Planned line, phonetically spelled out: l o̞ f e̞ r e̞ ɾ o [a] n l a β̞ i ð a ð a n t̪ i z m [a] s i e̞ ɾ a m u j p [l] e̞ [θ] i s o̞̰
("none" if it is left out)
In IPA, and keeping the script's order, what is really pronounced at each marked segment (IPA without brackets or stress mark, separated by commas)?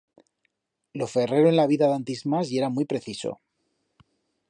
e, a, ɾ, θ